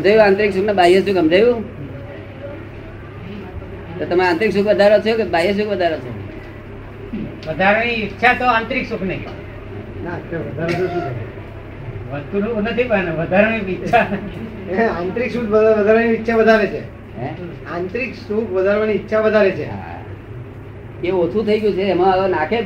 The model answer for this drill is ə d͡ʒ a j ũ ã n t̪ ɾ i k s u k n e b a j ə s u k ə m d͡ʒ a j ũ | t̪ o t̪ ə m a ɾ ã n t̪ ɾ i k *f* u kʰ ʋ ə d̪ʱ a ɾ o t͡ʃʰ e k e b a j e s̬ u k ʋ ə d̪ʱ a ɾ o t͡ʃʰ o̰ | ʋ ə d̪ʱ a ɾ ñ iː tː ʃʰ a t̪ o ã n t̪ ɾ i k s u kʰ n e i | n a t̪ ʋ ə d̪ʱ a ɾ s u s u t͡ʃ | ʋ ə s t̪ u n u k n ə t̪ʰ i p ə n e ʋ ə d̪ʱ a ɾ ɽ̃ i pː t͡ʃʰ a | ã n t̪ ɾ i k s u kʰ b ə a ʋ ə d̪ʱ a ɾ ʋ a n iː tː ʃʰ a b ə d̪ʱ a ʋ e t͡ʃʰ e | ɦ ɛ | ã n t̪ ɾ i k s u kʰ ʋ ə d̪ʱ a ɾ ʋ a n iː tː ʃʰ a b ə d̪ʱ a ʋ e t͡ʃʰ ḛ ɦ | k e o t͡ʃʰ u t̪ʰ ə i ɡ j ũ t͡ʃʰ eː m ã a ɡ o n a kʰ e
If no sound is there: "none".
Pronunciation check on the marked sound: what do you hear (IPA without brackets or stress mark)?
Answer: s